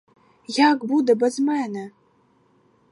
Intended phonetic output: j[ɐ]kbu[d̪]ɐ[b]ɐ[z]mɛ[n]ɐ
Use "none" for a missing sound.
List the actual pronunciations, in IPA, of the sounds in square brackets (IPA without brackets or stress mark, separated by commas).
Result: a, d̪, b, z, n